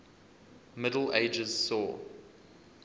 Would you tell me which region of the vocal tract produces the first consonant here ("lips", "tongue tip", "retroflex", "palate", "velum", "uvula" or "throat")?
lips